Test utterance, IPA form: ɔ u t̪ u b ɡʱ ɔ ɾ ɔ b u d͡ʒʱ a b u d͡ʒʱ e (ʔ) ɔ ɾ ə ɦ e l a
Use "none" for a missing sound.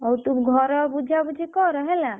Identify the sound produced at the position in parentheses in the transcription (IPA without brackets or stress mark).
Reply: k